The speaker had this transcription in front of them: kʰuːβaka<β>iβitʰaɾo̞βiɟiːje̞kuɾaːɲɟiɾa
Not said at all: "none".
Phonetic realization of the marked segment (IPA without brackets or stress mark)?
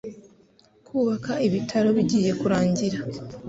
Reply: none